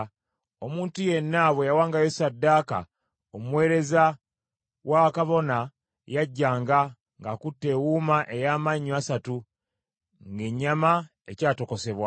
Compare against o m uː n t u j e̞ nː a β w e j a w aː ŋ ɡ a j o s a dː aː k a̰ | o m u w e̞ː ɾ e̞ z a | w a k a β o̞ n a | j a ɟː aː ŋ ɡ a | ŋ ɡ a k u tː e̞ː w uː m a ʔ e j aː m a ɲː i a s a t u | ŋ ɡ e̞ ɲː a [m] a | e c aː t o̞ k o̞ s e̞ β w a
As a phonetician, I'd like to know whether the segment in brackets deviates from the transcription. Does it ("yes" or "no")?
no